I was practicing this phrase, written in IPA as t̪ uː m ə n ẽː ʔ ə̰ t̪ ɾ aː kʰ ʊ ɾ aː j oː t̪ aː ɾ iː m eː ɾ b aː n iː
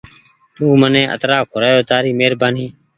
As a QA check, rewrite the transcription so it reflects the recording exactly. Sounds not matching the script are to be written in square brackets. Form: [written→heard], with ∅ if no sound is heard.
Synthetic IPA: t̪ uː m ə n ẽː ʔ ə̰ t̪ ɾ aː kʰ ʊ ɾ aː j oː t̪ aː ɾ iː m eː ɾ b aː n iː